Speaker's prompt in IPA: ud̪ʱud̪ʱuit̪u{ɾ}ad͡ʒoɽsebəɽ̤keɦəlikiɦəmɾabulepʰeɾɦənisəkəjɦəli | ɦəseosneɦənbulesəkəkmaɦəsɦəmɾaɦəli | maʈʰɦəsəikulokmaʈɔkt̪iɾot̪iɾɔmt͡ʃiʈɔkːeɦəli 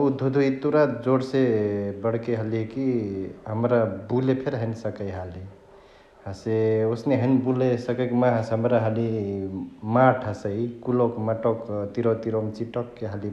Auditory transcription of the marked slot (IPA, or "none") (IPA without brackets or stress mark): ɾ